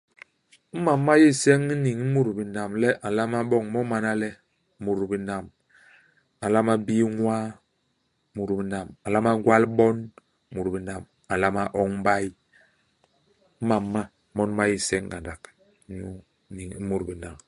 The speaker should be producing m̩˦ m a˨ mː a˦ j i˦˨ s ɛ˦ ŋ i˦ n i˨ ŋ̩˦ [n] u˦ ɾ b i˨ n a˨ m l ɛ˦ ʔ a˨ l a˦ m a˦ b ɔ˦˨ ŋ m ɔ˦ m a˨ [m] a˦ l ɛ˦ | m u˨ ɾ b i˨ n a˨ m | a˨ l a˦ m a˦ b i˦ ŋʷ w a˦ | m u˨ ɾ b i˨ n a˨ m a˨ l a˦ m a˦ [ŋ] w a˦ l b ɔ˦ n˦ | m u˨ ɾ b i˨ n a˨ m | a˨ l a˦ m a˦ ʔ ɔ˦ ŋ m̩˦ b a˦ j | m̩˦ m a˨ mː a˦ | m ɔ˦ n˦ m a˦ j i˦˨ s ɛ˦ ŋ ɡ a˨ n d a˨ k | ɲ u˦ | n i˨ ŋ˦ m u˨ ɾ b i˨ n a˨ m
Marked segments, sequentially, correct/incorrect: incorrect: m, incorrect: n, incorrect: ɡ

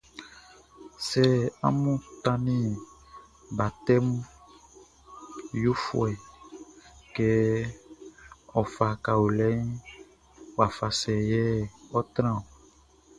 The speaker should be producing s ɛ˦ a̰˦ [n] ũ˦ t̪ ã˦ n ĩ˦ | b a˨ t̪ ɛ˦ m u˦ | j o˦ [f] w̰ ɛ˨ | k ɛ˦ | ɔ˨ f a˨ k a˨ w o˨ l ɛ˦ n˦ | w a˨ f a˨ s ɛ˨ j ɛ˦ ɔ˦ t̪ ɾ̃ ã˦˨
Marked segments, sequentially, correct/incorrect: incorrect: m, correct

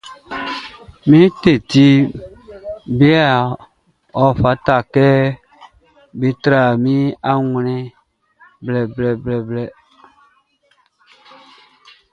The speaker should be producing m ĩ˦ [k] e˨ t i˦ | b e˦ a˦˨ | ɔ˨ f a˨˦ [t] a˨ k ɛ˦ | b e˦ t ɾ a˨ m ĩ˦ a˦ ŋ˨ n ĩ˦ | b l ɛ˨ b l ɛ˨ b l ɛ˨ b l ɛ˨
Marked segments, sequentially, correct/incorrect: incorrect: t, correct

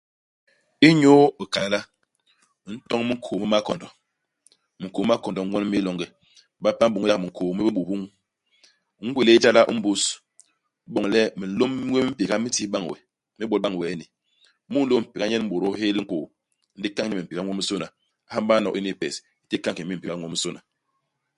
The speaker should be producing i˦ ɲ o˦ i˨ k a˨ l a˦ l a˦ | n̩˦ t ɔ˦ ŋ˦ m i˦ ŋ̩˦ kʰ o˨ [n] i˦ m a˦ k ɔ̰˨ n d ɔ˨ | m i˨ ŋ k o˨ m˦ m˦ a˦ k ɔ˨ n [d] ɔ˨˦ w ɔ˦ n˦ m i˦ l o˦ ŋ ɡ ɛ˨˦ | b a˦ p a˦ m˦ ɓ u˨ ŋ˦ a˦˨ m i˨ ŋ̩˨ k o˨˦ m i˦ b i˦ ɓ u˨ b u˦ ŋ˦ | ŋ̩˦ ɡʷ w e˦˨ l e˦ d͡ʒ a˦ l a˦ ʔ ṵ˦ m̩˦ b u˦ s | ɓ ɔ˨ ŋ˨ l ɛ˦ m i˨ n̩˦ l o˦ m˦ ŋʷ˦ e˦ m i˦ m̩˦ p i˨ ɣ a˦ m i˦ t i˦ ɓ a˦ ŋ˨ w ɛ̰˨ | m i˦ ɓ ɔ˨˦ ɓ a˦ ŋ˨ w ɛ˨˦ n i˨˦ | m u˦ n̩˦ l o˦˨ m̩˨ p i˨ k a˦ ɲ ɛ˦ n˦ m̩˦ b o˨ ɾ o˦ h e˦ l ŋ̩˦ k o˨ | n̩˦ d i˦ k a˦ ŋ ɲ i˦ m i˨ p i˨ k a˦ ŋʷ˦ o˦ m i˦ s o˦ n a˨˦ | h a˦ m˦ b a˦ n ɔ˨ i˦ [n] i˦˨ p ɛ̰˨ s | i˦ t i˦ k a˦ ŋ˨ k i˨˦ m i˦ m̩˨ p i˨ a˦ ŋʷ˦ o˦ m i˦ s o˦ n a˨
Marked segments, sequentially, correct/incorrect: incorrect: m, correct, correct

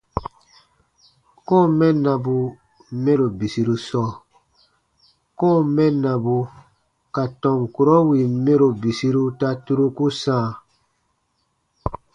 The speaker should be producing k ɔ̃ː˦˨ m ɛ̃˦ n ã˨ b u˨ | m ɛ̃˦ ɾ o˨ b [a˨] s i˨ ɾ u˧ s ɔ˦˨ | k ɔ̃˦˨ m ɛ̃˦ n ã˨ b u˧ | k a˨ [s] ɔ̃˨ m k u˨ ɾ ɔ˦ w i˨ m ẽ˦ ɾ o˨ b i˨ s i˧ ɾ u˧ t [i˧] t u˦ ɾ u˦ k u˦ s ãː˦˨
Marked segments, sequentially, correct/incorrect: incorrect: i˨, incorrect: t, incorrect: a˧

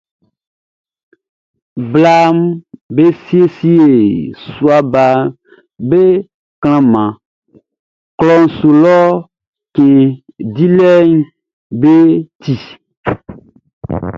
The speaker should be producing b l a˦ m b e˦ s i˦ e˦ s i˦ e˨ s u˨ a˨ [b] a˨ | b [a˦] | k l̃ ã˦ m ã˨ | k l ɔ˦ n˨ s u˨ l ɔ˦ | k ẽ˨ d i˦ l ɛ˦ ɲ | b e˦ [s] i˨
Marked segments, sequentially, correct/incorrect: correct, incorrect: e˦, incorrect: t

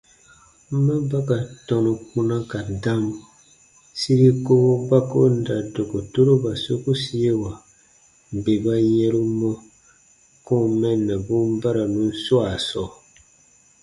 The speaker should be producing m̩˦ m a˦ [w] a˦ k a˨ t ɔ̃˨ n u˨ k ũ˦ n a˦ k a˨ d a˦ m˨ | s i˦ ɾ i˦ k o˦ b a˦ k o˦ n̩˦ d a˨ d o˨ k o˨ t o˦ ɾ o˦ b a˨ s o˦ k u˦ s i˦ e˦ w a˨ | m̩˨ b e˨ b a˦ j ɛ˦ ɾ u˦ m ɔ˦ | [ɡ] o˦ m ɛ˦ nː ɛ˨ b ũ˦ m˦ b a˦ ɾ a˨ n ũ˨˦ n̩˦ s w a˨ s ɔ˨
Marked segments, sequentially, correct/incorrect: incorrect: b, incorrect: k

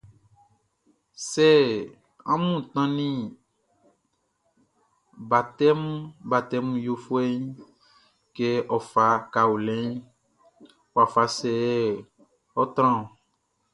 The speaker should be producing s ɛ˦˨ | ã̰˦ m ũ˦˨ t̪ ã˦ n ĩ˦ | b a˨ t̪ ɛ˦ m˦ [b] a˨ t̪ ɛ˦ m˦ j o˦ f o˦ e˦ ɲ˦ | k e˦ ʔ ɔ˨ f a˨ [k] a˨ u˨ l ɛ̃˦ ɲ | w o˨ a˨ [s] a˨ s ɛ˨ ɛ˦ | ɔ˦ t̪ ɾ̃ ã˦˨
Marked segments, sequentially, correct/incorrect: correct, correct, incorrect: f

